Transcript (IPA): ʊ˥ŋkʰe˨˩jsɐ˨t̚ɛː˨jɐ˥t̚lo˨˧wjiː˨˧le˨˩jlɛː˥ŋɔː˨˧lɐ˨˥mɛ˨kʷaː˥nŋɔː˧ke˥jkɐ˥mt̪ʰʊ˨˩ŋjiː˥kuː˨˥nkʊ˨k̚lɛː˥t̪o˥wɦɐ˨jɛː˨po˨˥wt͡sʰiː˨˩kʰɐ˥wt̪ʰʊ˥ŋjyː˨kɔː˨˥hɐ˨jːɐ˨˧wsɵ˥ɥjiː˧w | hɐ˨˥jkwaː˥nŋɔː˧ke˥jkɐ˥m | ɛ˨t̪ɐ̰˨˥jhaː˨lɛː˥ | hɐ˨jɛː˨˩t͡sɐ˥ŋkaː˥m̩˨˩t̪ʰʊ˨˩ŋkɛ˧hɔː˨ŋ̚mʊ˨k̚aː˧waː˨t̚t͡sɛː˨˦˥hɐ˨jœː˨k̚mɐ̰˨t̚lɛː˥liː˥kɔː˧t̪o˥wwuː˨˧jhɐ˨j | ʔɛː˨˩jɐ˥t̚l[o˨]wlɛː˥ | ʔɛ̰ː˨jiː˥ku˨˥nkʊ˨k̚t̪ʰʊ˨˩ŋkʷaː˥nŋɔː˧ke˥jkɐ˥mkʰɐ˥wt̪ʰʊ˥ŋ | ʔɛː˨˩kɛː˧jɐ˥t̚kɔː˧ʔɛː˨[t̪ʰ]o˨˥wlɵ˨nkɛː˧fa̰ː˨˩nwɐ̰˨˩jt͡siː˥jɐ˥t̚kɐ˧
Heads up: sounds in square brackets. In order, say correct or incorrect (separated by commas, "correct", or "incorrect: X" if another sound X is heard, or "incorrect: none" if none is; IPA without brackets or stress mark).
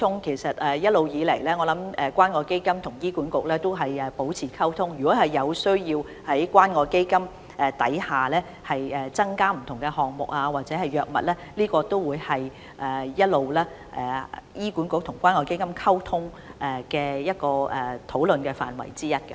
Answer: correct, correct